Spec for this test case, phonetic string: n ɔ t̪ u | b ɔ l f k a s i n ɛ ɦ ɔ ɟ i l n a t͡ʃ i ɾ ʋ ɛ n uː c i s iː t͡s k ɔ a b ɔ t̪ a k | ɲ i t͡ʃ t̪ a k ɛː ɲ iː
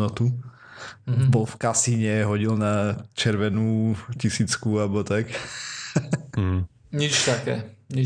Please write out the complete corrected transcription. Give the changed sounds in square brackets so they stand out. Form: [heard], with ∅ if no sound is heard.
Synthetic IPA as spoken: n ɔ t̪ u | b ɔ l f k a s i [ɲ] ɛ ɦ ɔ ɟ i l n a t͡ʃ [ɛ] ɾ ʋ ɛ n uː c i s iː t͡s k [u] a b ɔ t̪ a k | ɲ i t͡ʃ t̪ a k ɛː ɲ [i]